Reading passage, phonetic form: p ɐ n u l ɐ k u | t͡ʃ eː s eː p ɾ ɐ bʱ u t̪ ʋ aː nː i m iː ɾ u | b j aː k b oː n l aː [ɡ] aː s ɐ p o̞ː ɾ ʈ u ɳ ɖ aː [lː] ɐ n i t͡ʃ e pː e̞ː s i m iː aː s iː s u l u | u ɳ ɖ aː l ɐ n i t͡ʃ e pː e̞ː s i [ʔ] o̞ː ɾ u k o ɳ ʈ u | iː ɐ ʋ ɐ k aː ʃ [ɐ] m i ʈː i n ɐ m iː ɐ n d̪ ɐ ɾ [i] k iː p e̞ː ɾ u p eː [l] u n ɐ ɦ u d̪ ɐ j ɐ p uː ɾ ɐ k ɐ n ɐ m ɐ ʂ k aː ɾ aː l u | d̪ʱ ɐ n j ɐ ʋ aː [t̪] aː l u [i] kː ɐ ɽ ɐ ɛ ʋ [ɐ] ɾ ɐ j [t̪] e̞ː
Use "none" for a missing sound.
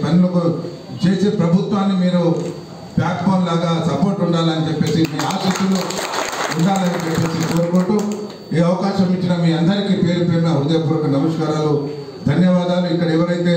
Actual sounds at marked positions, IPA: ɡ, l, k, ɐ, i, ɾ, d̪, i, ɐ, t̪

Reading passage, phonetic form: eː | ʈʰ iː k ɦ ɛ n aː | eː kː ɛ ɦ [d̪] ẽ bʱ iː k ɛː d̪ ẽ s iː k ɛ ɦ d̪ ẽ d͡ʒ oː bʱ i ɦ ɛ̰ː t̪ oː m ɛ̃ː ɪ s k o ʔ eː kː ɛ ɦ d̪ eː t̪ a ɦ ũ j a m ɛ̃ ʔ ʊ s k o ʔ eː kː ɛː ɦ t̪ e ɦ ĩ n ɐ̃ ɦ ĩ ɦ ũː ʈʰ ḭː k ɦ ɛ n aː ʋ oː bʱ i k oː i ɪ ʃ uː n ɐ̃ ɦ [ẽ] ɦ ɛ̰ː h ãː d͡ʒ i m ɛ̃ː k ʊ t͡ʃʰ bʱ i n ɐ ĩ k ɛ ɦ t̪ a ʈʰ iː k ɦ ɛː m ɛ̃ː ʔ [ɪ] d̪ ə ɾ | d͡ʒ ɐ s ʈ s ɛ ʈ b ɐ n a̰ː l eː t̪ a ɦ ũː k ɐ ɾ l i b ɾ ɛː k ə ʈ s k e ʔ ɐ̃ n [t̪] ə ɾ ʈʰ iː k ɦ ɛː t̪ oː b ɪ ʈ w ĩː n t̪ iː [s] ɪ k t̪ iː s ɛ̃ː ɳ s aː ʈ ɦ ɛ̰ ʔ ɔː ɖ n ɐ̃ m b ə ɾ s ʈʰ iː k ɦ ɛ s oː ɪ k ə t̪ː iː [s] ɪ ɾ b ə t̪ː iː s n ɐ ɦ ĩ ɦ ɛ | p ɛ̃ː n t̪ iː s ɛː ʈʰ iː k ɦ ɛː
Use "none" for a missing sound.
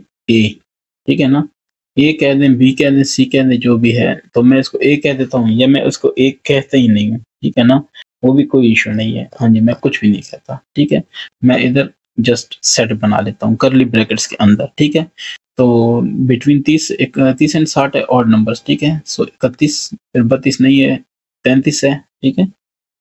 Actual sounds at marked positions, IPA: d̪, ĩ, ɪ, d̪, s, s

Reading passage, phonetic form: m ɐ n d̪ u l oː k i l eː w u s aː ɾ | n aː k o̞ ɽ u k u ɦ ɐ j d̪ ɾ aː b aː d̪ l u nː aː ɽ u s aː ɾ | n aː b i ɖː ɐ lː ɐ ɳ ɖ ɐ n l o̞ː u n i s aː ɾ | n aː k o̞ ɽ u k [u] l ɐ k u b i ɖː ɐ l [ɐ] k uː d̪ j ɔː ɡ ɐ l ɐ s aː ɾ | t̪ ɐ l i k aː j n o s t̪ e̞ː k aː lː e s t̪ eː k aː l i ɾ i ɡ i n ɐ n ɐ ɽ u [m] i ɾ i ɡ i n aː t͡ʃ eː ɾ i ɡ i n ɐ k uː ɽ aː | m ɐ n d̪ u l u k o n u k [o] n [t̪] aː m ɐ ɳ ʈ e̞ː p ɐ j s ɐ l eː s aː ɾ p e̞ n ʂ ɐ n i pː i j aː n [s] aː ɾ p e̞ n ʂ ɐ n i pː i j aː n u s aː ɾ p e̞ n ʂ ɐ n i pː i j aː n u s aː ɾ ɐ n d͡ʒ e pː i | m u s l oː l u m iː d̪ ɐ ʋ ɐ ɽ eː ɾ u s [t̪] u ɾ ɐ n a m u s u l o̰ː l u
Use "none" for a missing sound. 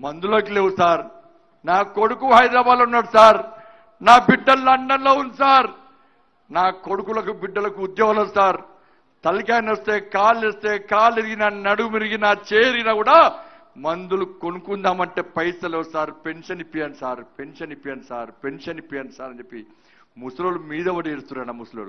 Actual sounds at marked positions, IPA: u, ɐ, m, u, d̪, s, t̪

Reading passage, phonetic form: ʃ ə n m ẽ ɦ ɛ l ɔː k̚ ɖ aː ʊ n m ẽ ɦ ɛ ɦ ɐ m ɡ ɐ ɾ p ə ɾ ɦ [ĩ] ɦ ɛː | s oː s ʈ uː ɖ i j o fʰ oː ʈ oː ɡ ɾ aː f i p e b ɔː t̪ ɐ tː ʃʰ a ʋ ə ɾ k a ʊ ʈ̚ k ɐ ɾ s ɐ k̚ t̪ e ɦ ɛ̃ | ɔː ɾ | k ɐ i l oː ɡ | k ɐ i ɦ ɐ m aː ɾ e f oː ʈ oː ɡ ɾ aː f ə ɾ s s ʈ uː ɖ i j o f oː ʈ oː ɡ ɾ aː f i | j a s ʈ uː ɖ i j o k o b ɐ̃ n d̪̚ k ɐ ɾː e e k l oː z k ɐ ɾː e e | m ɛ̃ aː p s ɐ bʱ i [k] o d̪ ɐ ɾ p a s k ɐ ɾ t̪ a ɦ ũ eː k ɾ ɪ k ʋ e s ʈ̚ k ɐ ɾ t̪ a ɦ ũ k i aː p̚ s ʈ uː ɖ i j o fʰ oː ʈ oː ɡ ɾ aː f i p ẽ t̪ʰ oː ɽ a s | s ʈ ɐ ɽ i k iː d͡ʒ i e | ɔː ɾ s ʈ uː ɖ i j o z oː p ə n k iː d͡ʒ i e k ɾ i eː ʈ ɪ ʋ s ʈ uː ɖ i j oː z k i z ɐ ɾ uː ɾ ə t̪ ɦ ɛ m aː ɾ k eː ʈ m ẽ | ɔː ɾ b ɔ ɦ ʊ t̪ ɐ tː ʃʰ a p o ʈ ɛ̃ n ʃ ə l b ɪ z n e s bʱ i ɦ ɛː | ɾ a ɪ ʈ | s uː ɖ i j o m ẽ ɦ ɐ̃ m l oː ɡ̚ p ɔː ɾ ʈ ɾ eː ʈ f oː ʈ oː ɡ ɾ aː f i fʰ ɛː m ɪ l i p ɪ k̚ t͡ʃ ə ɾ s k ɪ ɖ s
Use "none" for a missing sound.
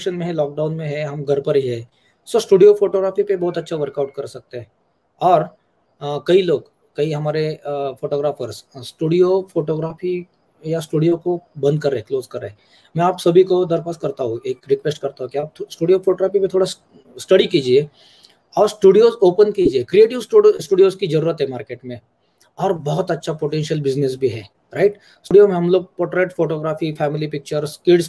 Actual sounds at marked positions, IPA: i, k

